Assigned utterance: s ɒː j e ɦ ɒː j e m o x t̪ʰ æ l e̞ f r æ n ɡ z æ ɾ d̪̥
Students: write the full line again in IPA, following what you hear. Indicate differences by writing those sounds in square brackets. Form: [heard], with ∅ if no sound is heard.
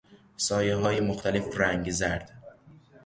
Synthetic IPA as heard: s ɒː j e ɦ ɒː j e m o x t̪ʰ æ l e̞ f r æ [ŋ] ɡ z æ ɾ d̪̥